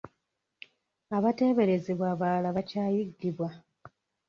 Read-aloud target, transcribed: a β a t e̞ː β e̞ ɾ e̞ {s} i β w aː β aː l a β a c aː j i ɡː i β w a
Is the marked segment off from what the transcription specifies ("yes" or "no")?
yes